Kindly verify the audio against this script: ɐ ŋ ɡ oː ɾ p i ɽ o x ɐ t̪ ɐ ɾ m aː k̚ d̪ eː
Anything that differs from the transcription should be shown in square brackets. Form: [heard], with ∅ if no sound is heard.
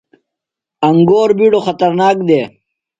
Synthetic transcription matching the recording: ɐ ŋ ɡ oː ɾ [b] i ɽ o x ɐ t̪ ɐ ɾ [n] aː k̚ d̪ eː